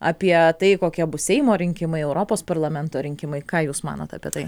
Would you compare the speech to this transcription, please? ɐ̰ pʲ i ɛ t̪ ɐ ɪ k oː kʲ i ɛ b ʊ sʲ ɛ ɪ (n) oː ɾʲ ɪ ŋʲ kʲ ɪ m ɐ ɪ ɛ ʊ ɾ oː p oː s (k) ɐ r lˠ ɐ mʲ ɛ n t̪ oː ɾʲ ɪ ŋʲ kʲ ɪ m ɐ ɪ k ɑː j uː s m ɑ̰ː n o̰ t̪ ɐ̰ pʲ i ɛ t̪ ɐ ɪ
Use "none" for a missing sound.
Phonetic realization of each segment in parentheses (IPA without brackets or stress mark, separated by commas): m, p